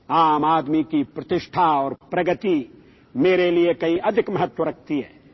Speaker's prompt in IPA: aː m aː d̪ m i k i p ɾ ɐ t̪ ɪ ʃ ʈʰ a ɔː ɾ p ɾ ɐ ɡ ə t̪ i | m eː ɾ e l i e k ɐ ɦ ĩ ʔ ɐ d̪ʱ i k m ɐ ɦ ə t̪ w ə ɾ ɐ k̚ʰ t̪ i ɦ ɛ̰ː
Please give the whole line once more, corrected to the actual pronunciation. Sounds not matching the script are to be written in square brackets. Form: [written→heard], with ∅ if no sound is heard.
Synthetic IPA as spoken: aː m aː d̪ m i k i p ɾ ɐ t̪ ɪ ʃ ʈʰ a ɔː ɾ p ɾ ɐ ɡ ə t̪ i | m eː ɾ e l i e k ɐ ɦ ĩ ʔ ɐ d̪ʱ [i→ɪ] k m ɐ ɦ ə t̪ w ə ɾ ɐ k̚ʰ t̪ i ɦ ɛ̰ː